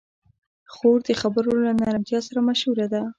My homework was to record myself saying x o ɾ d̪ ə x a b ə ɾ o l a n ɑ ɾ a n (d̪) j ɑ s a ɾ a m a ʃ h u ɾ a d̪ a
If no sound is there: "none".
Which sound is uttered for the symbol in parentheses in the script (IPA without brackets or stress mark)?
t̪